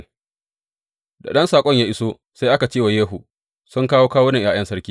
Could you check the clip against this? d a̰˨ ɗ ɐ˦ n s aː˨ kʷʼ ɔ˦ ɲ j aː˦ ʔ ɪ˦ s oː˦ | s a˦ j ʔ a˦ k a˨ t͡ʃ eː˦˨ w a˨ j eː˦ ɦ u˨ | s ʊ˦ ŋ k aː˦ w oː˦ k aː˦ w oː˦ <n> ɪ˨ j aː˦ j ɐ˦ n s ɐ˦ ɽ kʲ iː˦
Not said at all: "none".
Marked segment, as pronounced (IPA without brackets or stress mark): n